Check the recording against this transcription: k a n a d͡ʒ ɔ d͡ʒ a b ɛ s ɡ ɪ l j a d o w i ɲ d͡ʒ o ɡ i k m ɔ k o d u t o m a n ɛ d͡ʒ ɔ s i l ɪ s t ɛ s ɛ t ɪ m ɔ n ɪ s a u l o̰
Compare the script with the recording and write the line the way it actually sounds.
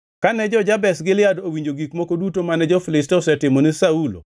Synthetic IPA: k a n ɛ d͡ʒ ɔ d͡ʒ a b ɛ s ɡ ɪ l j a d o w i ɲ d͡ʒ o ɡ i k m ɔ k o d u t o m a n ɛ d͡ʒ ɔ f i l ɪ s t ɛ s ɛ t ɪ m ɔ n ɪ s a u l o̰